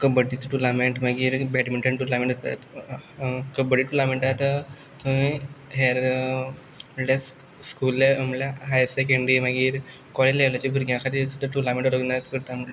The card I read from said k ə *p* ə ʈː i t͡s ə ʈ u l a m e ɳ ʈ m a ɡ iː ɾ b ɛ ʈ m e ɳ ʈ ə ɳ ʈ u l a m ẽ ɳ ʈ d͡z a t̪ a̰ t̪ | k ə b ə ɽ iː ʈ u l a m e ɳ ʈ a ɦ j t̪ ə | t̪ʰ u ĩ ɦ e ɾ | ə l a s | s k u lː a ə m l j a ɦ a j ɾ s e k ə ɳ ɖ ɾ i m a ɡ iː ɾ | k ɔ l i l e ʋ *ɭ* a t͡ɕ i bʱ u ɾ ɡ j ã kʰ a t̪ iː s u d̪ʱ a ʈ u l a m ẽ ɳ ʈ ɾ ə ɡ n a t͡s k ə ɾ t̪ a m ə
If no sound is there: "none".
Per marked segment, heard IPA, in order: b, l

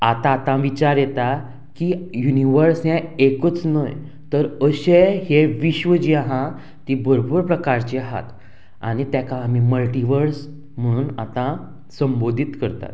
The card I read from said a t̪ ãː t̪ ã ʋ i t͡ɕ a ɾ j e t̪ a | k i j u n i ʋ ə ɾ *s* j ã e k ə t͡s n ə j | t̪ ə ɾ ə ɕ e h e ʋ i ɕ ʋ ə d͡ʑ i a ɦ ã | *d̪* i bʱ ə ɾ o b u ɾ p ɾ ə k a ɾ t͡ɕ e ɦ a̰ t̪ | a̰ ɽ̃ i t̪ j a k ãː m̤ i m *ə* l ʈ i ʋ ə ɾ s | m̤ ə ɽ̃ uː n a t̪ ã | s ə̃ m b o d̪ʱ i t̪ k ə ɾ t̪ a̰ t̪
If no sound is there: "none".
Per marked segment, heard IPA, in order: s, t̪, ə

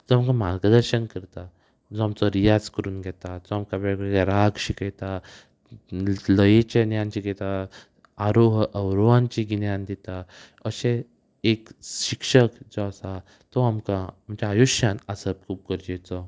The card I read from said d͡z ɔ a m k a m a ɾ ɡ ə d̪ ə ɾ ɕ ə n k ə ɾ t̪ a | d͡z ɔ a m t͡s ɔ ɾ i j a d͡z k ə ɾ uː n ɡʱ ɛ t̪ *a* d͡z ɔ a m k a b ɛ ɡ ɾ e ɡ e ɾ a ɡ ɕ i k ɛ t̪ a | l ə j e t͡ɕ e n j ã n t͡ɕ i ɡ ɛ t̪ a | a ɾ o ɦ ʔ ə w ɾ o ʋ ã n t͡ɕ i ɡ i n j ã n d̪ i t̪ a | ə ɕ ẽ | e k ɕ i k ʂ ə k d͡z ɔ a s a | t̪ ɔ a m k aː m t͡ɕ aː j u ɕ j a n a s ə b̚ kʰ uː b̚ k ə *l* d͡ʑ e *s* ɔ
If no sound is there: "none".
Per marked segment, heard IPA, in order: a, ɾ, t͡s

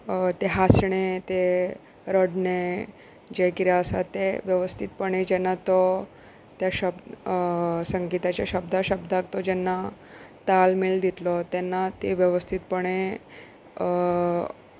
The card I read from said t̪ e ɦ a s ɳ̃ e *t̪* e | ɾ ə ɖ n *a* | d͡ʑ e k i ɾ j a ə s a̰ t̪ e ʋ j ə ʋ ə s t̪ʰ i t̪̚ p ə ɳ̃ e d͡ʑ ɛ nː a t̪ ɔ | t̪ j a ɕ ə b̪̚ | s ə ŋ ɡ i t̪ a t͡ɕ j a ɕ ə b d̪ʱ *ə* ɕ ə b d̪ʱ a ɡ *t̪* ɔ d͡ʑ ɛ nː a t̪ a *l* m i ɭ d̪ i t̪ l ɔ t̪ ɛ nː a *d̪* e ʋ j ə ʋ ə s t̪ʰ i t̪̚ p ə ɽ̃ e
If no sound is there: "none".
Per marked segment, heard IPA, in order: t̪, e, a, t̪, l, t̪

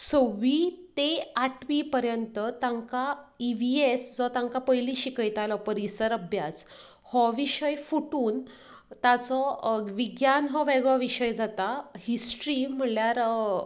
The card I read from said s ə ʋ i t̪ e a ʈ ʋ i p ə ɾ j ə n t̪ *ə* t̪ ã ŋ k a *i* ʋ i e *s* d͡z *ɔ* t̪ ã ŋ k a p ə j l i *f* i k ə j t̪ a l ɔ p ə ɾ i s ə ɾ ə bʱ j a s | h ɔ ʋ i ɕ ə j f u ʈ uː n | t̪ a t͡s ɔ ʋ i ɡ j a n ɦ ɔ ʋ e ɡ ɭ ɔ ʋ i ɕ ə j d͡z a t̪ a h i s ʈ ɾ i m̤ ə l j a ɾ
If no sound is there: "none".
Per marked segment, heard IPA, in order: ə, i, s, ɔ, ɕ

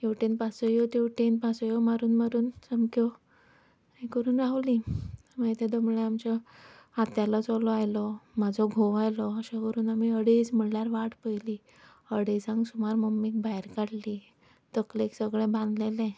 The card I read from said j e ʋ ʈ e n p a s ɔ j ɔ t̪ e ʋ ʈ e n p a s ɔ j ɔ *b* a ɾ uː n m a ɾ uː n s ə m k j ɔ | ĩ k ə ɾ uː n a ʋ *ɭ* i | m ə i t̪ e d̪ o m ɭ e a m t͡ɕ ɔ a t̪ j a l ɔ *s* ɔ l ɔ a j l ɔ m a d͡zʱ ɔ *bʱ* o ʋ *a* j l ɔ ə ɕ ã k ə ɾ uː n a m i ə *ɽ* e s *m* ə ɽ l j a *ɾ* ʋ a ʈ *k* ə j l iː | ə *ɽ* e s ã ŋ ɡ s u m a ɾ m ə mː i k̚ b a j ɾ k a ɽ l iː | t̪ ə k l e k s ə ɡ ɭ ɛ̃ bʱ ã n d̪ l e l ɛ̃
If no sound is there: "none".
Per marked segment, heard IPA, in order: m, l, t͡s, ɡʱ, a, ɽ, m, ɾ, p, ɽ

